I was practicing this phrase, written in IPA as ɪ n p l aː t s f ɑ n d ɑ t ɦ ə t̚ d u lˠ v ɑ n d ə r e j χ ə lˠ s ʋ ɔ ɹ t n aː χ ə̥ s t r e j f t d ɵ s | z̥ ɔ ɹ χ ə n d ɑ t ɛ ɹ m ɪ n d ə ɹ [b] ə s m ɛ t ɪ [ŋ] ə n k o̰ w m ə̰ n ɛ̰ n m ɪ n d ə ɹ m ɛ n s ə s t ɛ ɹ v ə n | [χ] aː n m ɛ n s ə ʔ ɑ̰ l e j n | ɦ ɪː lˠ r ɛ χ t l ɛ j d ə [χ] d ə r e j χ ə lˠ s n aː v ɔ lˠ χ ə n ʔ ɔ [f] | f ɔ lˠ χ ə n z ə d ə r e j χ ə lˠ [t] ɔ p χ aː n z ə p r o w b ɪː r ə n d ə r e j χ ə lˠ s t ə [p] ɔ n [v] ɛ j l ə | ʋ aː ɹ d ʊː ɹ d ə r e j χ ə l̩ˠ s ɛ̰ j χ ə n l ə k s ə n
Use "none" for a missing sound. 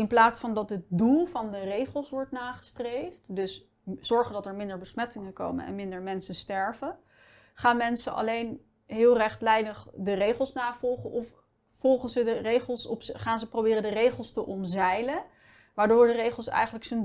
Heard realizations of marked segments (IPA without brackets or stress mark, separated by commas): b, ŋ, χ, χ, f, s, ʔ, z